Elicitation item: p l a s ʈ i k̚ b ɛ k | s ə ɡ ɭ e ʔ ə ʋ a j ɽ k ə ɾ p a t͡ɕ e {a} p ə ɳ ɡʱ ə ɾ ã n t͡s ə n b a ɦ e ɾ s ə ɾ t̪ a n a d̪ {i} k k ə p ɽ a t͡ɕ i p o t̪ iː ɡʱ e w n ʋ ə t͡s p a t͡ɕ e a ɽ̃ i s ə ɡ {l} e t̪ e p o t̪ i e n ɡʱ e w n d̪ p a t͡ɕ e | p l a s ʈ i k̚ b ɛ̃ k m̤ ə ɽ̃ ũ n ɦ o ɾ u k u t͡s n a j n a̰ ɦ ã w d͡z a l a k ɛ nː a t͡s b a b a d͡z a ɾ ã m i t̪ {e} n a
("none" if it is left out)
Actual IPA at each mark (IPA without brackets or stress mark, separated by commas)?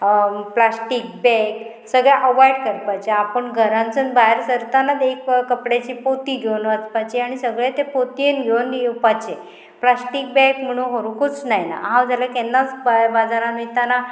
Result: a, e, ɭ, a